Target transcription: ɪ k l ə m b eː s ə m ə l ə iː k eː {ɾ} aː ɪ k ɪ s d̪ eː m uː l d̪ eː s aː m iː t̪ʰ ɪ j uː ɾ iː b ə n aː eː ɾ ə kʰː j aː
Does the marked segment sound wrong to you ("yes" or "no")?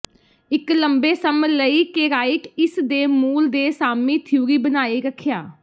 no